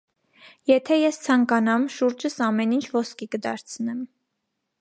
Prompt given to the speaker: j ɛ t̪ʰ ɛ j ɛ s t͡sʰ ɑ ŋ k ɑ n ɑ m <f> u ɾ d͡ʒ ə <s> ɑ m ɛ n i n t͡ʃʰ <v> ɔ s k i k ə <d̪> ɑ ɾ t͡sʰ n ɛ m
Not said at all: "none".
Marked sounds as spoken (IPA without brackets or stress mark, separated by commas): ʃ, s, v, d̪